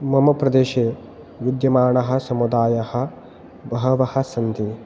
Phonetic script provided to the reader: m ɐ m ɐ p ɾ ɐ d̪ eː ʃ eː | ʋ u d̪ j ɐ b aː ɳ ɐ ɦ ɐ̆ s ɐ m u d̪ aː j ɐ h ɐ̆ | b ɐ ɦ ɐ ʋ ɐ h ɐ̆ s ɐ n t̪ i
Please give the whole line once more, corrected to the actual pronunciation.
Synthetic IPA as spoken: m ɐ m ɐ p ɾ ɐ d̪ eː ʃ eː | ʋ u d̪ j ɐ m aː ɳ ɐ ɦ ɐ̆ s ɐ m u d̪ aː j ɐ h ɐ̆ | b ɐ ɦ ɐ ʋ ɐ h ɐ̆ s ɐ n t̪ i